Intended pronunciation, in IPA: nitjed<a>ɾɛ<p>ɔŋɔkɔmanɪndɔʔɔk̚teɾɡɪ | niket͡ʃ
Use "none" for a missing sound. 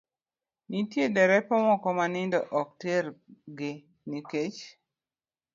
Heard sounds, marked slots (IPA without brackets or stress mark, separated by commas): ɛ, p